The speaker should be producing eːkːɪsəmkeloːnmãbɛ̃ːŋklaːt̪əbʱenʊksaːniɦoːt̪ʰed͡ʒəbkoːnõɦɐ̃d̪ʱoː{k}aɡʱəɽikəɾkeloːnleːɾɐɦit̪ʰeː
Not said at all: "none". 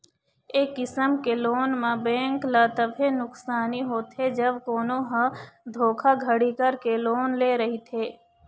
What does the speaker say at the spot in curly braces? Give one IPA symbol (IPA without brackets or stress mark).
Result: kʰ